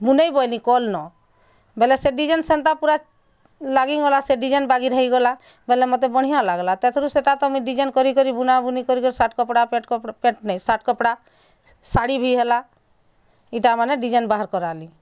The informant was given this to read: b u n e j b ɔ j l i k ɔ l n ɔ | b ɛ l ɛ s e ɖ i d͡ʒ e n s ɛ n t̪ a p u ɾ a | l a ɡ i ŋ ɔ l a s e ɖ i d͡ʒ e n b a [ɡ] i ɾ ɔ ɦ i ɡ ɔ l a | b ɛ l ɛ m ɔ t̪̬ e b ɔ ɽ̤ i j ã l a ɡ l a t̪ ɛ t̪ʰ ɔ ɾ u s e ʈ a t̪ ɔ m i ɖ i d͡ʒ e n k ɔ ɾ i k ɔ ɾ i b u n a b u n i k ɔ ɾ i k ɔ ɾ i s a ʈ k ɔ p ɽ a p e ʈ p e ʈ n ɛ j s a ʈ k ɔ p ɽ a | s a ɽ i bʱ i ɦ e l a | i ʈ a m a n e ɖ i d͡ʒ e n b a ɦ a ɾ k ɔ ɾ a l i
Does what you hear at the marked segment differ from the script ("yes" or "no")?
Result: no